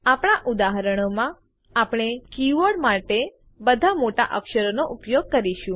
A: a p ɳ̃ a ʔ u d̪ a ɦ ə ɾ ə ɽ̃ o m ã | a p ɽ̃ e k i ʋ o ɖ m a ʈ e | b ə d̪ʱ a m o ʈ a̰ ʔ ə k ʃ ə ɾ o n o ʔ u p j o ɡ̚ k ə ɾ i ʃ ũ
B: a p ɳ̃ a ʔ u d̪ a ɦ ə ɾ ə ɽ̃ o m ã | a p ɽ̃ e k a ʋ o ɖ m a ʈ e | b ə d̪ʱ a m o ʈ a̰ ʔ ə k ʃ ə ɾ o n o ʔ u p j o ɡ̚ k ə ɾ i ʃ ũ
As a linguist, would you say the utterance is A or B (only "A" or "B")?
A